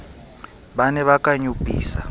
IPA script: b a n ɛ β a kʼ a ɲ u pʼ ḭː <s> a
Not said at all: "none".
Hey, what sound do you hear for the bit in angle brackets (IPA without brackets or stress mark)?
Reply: s